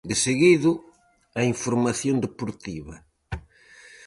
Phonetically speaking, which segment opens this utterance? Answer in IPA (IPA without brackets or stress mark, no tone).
d̪